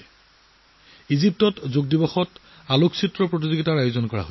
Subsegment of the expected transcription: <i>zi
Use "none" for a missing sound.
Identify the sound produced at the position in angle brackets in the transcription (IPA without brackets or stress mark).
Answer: i